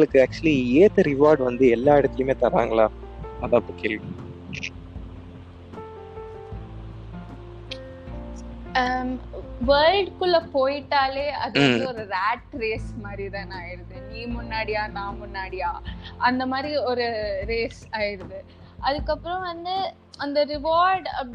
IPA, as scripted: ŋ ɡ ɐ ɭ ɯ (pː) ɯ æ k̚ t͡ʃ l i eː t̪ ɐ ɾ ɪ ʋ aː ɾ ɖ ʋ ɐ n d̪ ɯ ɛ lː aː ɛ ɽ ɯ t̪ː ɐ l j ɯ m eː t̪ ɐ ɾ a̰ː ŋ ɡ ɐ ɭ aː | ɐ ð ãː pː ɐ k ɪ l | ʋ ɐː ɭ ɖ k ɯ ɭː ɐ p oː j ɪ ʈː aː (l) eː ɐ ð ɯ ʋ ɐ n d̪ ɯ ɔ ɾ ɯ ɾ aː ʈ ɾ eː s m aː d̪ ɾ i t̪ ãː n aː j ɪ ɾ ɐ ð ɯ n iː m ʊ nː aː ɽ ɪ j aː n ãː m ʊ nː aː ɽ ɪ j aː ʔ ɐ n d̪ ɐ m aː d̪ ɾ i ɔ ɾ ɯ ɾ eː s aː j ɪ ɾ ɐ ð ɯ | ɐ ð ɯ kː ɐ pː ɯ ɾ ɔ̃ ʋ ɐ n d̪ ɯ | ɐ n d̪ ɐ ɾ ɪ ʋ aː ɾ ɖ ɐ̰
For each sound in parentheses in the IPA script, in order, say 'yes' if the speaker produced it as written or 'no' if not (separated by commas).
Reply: no, yes